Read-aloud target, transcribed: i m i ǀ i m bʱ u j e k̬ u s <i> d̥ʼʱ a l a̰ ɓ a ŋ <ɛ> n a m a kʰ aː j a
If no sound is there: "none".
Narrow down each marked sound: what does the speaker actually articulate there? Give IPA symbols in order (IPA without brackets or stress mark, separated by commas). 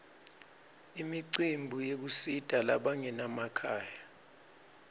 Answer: i, ɛ